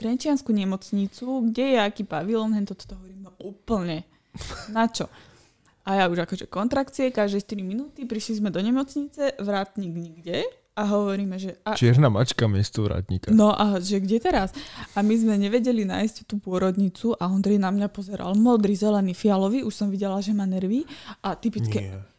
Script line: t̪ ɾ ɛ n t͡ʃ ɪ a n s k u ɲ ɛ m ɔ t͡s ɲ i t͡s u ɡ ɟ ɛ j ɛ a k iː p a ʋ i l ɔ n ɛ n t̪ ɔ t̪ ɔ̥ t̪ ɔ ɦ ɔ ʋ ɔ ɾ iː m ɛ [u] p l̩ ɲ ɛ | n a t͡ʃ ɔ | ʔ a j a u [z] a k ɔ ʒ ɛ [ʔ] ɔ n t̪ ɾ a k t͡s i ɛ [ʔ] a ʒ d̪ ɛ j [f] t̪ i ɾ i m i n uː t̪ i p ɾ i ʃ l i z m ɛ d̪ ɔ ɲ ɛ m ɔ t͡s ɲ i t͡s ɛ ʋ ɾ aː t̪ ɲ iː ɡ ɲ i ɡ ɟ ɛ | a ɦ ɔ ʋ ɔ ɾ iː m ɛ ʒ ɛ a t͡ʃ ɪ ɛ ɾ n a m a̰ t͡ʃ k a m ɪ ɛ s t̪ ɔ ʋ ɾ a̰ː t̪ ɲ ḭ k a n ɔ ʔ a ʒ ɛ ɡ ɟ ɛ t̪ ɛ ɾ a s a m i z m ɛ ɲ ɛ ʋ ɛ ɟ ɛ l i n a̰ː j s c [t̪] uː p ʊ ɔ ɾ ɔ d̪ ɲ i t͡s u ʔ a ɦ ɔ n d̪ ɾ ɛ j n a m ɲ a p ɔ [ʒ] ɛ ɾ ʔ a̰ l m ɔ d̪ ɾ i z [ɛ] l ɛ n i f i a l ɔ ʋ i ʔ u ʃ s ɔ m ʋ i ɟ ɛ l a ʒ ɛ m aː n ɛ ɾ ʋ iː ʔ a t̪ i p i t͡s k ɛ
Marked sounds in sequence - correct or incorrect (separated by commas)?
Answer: incorrect, incorrect, incorrect, incorrect, incorrect, correct, incorrect, correct